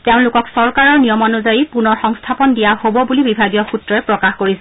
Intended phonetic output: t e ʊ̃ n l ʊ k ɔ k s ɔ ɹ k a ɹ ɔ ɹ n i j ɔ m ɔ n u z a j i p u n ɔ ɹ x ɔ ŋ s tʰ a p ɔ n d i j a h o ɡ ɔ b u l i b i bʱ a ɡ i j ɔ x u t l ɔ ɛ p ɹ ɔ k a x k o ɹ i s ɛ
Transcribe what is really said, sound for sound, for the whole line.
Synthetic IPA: t e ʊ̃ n l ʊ k ɔ k s ɔ ɹ k a ɹ ɔ ɹ n i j ɔ m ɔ n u z a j i p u n ɔ ɹ x ɔ ŋ s tʰ a p ɔ n d i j a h o b ɔ b u l i b i bʱ a ɡ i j ɔ x u t ɹ ɔ ɛ p ɹ ɔ k a x k o ɹ i s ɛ